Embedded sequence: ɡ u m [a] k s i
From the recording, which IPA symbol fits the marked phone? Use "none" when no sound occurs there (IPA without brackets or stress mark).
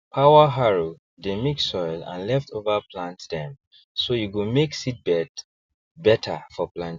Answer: e